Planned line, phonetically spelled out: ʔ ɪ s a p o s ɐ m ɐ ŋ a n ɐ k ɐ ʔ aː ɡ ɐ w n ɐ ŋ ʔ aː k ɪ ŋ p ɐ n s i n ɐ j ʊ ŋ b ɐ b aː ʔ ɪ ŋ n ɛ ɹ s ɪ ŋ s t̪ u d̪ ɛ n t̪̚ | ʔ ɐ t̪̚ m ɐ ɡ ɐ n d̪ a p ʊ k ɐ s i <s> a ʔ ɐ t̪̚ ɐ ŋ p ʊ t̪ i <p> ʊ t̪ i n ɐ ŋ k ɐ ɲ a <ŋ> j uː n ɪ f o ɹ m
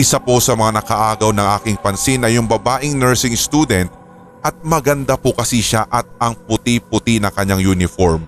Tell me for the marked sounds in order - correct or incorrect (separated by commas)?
incorrect, correct, correct